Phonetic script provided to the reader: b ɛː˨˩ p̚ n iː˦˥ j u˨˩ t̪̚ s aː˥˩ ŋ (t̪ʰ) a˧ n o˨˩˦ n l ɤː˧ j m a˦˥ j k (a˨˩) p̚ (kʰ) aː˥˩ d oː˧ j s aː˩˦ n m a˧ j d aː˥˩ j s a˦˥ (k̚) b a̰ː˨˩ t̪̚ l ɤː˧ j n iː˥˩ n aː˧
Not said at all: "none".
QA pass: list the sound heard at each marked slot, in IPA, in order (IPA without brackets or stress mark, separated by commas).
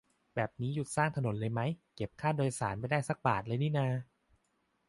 t̪ʰ, e˨˩, kʰ, k̚